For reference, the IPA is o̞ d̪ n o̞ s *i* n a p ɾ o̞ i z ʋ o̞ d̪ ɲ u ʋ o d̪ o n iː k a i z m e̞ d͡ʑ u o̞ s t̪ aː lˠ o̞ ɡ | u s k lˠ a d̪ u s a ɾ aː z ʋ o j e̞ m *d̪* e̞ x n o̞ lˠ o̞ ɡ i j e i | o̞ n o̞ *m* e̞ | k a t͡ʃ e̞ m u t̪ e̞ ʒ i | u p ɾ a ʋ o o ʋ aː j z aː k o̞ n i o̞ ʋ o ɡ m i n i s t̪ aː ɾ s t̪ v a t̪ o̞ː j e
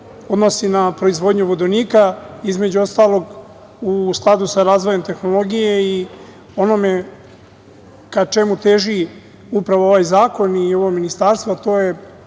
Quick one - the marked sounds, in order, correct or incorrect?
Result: correct, incorrect: t̪, correct

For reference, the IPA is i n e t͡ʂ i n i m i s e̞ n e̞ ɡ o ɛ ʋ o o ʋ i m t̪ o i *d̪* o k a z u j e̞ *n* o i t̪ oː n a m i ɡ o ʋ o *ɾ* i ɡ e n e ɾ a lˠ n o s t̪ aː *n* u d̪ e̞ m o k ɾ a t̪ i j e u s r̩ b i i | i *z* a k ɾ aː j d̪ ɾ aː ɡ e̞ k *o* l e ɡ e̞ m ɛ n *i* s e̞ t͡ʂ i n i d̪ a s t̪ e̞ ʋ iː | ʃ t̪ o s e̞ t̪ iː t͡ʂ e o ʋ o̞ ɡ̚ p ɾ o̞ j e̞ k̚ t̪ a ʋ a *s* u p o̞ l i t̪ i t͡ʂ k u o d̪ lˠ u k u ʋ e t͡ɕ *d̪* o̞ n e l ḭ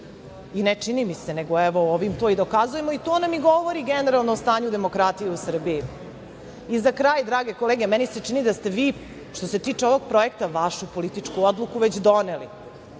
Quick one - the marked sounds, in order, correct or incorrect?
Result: correct, incorrect: m, correct, incorrect: ɲ, correct, correct, correct, incorrect: ʃ, correct

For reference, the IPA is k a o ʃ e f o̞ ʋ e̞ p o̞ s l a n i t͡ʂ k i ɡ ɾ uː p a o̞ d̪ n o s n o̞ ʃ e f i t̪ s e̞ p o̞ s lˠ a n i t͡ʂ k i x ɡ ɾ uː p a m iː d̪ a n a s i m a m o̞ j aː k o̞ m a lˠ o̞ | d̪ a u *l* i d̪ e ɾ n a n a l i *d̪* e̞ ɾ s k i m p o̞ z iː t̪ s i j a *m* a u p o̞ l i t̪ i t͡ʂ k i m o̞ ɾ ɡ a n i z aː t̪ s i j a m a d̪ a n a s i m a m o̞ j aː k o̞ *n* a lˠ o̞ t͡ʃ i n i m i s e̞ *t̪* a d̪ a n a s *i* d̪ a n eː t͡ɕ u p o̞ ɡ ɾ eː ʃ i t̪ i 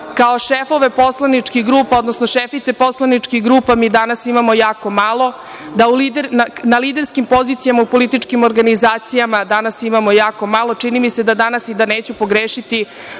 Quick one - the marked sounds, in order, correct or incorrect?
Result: correct, correct, correct, incorrect: m, incorrect: d̪, correct

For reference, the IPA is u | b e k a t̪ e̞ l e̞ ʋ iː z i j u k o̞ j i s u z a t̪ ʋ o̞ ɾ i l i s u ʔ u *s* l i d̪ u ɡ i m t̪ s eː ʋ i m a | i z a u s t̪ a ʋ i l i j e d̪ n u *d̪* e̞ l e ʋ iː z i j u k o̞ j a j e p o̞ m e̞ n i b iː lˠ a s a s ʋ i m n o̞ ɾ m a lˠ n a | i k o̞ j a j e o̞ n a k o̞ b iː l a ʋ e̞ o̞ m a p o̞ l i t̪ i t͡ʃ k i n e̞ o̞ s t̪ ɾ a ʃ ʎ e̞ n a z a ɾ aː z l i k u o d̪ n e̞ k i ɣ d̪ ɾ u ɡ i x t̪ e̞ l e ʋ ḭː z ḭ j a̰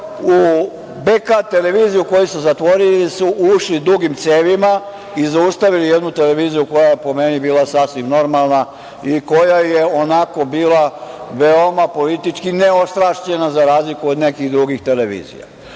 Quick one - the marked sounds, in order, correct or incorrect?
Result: incorrect: ʃ, incorrect: t̪

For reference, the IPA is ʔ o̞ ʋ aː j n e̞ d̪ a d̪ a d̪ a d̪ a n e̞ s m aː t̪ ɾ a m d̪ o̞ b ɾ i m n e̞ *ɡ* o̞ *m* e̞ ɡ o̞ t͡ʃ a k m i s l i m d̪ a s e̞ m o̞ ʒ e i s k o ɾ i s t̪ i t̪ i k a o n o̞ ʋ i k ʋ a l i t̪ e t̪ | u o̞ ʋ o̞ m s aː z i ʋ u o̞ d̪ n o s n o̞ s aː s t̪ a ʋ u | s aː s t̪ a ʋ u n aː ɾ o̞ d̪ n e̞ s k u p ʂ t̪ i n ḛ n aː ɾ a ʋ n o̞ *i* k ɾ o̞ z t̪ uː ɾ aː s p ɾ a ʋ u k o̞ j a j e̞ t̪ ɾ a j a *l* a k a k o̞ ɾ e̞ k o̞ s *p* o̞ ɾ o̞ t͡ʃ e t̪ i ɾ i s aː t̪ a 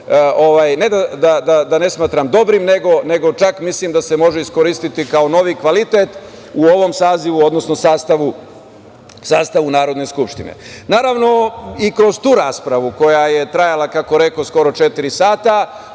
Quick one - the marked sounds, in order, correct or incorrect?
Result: correct, incorrect: n, correct, correct, incorrect: k

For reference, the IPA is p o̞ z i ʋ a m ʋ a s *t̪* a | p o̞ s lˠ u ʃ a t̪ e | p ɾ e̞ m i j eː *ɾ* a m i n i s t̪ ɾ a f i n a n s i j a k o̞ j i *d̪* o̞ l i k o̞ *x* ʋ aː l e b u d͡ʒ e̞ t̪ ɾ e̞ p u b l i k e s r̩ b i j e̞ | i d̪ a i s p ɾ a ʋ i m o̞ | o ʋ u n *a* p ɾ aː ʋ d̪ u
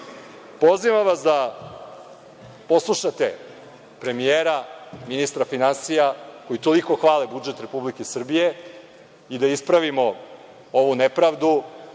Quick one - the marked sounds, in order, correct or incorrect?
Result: incorrect: d̪, correct, incorrect: t̪, correct, incorrect: e

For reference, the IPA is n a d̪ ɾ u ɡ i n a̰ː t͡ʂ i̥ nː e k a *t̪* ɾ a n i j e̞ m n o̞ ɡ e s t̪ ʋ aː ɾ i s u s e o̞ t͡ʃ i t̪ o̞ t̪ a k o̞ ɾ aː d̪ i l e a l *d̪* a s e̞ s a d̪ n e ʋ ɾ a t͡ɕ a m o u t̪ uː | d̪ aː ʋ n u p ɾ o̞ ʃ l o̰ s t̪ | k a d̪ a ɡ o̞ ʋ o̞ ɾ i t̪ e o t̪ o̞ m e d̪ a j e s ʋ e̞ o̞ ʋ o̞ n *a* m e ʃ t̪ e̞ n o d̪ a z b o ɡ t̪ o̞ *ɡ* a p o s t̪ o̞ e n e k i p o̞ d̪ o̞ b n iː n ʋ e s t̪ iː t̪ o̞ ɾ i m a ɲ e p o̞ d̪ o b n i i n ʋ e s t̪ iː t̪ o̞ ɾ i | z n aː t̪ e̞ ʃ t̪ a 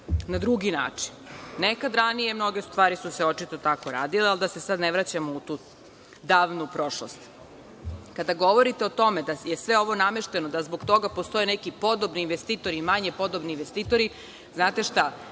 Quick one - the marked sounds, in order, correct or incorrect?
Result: incorrect: d̪, correct, correct, correct

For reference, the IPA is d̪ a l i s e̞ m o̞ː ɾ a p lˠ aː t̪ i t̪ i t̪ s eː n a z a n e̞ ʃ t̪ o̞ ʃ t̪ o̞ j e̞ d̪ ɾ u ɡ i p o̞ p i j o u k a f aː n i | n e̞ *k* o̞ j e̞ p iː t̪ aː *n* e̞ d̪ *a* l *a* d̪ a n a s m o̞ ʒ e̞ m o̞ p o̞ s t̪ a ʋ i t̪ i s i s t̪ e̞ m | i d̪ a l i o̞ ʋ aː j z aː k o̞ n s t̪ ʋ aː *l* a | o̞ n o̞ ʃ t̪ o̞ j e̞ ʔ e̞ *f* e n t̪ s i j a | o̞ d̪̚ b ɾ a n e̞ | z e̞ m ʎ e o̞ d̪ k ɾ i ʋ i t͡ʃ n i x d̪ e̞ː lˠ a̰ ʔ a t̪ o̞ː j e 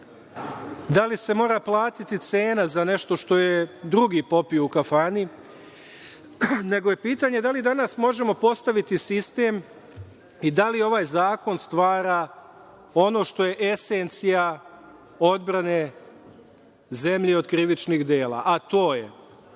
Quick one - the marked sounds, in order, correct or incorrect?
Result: incorrect: ɡ, incorrect: ɲ, correct, incorrect: i, incorrect: ɾ, incorrect: s

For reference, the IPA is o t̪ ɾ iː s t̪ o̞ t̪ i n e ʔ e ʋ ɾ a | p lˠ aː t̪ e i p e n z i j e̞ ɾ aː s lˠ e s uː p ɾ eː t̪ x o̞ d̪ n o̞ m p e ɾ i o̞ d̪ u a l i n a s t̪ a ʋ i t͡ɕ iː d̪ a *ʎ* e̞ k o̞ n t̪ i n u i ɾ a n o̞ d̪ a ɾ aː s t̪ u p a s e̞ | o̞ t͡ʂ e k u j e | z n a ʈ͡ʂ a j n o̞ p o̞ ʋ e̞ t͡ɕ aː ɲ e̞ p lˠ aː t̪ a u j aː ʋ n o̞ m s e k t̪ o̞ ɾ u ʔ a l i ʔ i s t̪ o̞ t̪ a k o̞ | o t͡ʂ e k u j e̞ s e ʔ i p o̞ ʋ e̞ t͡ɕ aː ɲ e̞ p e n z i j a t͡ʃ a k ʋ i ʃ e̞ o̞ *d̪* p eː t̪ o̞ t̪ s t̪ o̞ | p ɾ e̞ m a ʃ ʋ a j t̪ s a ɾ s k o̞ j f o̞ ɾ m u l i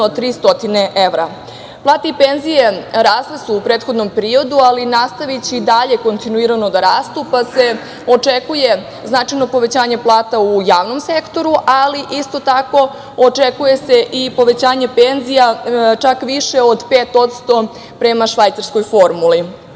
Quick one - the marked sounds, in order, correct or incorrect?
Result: correct, correct

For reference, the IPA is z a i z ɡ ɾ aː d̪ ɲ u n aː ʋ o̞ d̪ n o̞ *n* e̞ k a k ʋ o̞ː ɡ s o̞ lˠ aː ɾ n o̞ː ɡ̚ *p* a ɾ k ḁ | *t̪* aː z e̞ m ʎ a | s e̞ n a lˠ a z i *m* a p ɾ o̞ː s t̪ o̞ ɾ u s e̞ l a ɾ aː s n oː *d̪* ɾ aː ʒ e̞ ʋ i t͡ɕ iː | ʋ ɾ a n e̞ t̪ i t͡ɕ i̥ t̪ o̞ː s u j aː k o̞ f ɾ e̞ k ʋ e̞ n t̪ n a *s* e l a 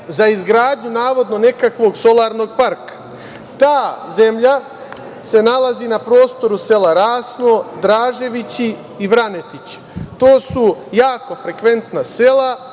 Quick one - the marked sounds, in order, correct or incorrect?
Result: correct, correct, correct, incorrect: n, correct, correct

